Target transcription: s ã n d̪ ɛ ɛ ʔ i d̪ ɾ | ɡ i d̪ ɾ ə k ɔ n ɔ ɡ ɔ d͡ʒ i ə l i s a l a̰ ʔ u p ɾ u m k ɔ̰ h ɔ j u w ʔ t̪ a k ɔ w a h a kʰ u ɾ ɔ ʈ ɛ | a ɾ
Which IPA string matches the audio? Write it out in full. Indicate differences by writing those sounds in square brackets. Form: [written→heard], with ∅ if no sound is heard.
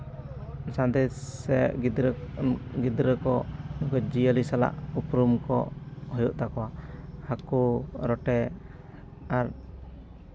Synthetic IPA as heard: s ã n d̪ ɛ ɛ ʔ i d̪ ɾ | ɡ i d̪ ɾ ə k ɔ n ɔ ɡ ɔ d͡ʒ i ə l i s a l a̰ ʔ u p ɾ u m k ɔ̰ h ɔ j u [w→∅] ʔ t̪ a k ɔ w a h a [kʰ→k] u ɾ ɔ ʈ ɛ | a ɾ